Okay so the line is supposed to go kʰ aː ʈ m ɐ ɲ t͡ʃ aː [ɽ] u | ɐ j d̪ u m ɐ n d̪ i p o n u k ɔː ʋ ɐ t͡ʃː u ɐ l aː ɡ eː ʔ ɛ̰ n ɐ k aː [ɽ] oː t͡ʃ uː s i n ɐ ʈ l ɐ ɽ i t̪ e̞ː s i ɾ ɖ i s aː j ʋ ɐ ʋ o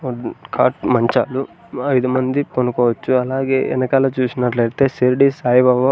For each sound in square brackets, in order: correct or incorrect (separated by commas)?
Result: incorrect, incorrect